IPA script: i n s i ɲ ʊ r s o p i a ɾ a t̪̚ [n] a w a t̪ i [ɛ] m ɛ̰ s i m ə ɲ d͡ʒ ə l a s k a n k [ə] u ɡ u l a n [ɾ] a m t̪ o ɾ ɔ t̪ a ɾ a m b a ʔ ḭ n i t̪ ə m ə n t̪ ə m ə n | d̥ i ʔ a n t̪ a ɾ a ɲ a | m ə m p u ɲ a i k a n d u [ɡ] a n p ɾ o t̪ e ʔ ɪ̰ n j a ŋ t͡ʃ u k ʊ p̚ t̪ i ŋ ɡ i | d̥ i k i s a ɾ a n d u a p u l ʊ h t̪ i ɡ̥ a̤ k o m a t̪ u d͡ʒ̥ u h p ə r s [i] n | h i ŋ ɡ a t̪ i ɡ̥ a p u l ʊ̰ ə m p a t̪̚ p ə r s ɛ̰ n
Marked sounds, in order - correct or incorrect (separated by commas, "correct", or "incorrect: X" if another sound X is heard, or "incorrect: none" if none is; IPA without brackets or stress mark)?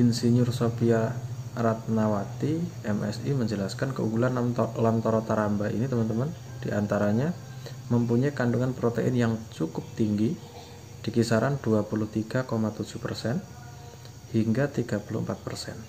correct, correct, correct, incorrect: l, incorrect: ŋ, incorrect: ɛ